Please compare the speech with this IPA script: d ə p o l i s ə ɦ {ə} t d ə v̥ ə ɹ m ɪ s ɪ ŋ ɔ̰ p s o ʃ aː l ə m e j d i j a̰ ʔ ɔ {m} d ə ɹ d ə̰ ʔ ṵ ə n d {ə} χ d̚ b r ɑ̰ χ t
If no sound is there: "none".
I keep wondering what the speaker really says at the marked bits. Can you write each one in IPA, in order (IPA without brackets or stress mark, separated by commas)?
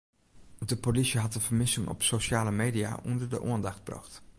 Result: ɑ, n, ɑ